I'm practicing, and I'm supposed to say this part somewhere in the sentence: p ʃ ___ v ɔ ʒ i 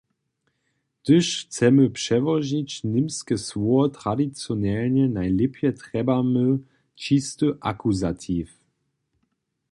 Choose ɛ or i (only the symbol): ɛ